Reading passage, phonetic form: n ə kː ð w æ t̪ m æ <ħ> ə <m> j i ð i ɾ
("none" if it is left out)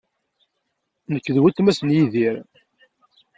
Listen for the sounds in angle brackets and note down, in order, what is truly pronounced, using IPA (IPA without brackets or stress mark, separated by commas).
s, n